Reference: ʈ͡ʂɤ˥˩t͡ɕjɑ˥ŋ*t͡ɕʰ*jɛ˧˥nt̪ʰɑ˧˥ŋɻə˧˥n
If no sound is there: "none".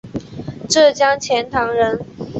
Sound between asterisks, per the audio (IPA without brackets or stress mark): t͡ɕʰ